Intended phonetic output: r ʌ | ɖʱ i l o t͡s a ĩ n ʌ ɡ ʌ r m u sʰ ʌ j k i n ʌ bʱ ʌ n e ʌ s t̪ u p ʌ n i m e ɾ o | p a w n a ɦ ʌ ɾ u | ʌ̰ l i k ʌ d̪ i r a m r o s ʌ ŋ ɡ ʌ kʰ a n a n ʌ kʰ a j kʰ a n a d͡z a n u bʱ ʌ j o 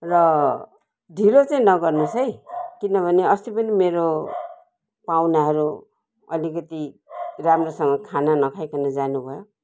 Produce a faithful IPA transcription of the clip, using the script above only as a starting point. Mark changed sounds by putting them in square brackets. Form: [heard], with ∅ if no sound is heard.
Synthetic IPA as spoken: r ʌ | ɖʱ i l o t͡s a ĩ n ʌ ɡ ʌ r [n] u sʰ ʌ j k i n ʌ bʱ ʌ n e ʌ s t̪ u p ʌ n i m e ɾ o | p a w n a ɦ ʌ ɾ u | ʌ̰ l i k ʌ [t̪] i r a m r o s ʌ ŋ ɡ ʌ kʰ a n a n ʌ kʰ a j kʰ a n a d͡z a n u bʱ ʌ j o